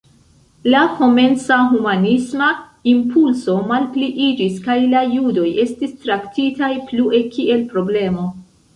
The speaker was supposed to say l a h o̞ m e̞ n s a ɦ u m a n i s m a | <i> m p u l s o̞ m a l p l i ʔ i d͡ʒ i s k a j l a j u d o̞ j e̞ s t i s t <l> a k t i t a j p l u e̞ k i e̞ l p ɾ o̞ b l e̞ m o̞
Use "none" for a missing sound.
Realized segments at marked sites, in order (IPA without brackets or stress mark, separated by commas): i, ɾ